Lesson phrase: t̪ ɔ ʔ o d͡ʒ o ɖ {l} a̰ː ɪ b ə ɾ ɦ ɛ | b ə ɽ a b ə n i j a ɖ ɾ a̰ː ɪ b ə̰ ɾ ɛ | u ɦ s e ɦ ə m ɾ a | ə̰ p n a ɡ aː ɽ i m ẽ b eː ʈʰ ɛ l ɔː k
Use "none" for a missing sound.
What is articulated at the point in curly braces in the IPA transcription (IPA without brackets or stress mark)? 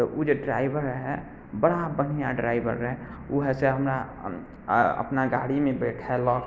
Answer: ɾ